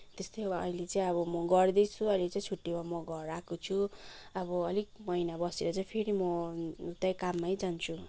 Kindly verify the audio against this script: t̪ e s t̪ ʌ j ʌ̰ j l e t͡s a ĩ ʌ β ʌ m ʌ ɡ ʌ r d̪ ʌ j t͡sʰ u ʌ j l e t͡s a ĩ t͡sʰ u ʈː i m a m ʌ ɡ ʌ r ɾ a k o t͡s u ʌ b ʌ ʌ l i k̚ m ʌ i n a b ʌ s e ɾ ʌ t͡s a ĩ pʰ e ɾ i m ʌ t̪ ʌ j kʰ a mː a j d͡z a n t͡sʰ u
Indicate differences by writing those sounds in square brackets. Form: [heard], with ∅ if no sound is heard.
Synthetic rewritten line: t̪ e s t̪ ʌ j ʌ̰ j l e t͡s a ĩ ʌ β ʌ m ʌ ɡ ʌ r d̪ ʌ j t͡sʰ u ʌ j l e t͡s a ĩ t͡sʰ u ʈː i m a m ʌ ɡ ʌ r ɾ a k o [t͡sʰ] u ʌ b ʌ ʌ l i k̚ m ʌ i n a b ʌ s e ɾ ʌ t͡s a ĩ pʰ e ɾ i m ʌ t̪ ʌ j [k] a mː a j d͡z a n t͡sʰ u